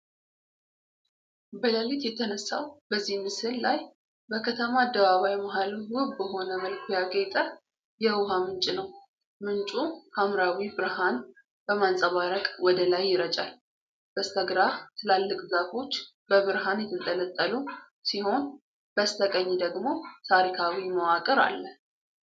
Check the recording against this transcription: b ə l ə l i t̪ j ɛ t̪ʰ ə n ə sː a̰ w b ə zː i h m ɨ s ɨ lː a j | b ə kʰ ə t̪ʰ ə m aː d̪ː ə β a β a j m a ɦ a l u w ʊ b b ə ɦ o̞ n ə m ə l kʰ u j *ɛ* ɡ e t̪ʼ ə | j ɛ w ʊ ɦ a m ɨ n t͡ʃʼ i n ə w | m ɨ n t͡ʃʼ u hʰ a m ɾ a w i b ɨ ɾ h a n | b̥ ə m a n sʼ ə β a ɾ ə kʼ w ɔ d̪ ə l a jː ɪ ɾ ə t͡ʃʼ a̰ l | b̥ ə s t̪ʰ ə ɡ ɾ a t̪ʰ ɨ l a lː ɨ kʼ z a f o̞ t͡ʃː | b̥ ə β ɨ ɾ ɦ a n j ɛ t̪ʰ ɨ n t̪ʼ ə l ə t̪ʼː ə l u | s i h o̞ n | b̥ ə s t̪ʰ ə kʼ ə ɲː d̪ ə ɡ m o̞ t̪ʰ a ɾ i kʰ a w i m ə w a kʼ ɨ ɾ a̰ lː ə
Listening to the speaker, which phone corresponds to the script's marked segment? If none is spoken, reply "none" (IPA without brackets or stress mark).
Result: a